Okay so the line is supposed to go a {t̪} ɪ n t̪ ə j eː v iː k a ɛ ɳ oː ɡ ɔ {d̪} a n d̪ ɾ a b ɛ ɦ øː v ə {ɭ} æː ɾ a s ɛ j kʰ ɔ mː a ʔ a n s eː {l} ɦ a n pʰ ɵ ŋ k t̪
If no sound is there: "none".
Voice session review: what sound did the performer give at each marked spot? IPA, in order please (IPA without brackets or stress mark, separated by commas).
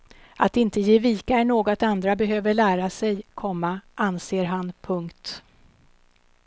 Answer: t̪, t̪, ɭ, ɾ